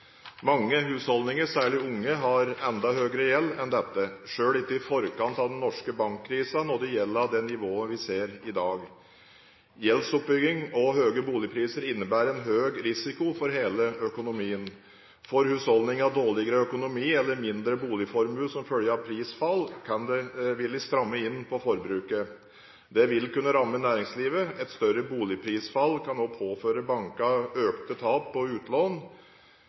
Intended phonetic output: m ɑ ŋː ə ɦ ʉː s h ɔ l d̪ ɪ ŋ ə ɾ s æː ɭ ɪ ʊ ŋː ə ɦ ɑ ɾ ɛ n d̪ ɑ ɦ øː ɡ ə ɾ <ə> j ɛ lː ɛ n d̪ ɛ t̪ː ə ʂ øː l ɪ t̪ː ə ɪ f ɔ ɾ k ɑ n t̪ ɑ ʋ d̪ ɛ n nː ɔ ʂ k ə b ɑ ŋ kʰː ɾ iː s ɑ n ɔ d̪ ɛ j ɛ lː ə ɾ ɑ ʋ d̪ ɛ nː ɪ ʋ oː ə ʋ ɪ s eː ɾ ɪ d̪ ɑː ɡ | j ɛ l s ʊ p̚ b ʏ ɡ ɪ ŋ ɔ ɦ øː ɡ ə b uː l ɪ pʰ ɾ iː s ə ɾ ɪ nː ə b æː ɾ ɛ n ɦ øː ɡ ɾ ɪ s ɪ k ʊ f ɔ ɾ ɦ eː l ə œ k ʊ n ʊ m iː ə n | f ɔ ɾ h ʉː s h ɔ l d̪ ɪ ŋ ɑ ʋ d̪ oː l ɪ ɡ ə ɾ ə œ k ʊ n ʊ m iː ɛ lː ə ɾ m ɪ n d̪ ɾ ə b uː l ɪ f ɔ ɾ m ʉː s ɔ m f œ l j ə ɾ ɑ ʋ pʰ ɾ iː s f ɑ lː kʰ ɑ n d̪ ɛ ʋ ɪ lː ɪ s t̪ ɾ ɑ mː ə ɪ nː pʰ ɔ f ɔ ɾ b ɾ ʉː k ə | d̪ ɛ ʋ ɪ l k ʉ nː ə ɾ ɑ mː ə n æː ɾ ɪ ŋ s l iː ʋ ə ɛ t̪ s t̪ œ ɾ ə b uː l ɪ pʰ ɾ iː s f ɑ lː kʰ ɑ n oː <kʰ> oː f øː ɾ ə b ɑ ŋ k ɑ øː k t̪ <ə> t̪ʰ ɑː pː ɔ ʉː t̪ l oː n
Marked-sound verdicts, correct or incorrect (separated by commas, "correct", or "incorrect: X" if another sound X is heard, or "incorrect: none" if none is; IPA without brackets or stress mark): correct, incorrect: pʰ, correct